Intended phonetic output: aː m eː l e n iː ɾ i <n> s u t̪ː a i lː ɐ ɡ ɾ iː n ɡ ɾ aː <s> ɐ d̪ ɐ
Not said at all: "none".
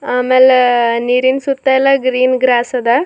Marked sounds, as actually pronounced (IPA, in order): n, s

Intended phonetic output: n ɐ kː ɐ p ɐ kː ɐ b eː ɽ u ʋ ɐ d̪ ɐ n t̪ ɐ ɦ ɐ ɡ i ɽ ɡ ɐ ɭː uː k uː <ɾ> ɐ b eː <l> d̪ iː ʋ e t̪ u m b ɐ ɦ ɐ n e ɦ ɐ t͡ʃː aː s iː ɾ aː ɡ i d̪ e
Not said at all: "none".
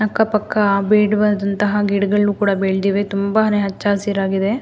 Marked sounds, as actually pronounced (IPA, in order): ɽ, ɭ

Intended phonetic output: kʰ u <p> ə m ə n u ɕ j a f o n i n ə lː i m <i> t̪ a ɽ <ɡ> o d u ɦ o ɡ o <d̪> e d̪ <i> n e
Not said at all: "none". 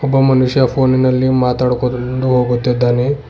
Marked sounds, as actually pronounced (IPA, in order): b, a, k, t̪, a

